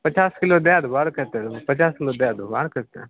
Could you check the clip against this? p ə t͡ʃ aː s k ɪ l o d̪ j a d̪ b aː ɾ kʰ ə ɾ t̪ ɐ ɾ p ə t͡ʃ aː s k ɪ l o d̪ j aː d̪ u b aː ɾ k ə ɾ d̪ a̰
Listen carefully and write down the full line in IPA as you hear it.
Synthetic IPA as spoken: p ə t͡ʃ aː s k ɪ l o d̪ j a d̪ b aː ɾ k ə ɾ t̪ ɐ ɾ p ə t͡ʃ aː s k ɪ l o d̪ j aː d̪ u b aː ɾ k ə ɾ t̪ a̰